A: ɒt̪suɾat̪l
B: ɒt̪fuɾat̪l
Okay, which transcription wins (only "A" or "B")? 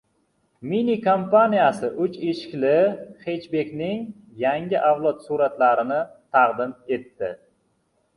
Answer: A